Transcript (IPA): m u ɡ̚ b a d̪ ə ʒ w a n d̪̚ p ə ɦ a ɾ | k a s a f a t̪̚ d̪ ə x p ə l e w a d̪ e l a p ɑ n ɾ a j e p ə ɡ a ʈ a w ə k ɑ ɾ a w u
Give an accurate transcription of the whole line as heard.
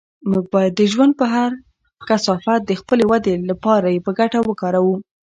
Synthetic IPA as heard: m u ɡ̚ b a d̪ ə ʒ w a n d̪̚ p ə ɦ a ɾ | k a s ɑ f a t̪̚ d̪ ə x p ə l e w a d̪ e l a p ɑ ɾ a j e p ə ɡ a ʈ a w ə k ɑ ɾ a w u